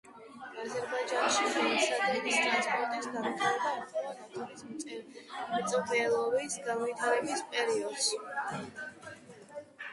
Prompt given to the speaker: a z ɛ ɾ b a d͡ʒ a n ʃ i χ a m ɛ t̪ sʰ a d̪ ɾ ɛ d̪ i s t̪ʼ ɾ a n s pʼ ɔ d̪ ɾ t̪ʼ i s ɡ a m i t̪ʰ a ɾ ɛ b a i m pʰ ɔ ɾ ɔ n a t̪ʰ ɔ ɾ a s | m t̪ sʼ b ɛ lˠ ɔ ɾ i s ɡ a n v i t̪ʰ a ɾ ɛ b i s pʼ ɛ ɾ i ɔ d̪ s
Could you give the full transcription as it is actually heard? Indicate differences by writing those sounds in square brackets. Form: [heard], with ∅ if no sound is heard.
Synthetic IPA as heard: a z ɛ ɾ b a d͡ʒ a n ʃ i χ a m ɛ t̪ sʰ a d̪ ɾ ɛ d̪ i s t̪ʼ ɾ a n s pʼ ɔ [∅] ɾ t̪ʼ i s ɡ a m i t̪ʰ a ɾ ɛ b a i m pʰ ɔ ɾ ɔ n a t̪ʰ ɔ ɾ [i] s | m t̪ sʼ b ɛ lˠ ɔ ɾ i s ɡ a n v i t̪ʰ a ɾ ɛ b i s pʼ ɛ ɾ i ɔ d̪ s